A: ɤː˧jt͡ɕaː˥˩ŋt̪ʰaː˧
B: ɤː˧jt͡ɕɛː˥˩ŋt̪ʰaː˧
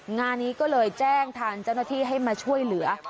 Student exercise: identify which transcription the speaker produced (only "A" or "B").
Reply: B